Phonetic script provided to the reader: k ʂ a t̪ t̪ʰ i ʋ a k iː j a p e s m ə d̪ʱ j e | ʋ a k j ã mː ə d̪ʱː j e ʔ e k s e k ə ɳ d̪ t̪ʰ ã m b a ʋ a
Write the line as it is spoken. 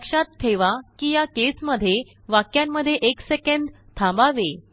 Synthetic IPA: k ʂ a t̪ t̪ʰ e ʋ a k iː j a k e s m ə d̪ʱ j e | ʋ a k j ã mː ə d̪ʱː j e ʔ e k s e k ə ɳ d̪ t̪ʰ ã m b a ʋ e